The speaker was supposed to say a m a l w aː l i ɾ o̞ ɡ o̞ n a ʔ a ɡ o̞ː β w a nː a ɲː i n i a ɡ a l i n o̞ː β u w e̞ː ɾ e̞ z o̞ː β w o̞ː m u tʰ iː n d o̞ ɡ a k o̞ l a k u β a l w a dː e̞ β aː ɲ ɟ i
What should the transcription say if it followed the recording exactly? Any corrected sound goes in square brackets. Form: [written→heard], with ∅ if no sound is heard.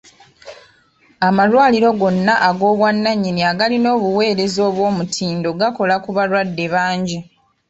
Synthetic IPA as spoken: a m a l w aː l i ɾ o̞ ɡ o̞ [n→nː] a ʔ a ɡ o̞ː β w a nː a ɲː i n i a ɡ a l i n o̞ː β u w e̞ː ɾ e̞ z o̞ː β w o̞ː m u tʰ iː n d o̞ ɡ a k o̞ l a k u β a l w a dː e̞ β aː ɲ ɟ i